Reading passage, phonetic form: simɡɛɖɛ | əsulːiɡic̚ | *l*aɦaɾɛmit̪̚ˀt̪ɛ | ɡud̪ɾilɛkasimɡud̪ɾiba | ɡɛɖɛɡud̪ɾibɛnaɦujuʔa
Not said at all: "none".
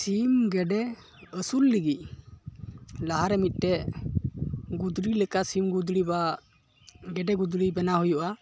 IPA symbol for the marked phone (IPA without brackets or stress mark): l